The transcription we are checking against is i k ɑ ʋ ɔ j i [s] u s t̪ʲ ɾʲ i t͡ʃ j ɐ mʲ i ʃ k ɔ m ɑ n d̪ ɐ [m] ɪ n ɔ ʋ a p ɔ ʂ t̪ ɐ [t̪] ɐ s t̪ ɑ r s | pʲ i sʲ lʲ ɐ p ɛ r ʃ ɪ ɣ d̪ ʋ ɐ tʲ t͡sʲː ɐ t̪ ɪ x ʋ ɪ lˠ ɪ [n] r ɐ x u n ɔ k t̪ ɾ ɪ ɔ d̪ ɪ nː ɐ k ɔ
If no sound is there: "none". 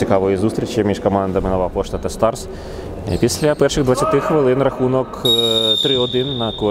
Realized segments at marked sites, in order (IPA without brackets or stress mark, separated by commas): z, m, t̪, n